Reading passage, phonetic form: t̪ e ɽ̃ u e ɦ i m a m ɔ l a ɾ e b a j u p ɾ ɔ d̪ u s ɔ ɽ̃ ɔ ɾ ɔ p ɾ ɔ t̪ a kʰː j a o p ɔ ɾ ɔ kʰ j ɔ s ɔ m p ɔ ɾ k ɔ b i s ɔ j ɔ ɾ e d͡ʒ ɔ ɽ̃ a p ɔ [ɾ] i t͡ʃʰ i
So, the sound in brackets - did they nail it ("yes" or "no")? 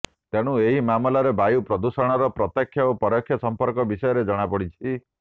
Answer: no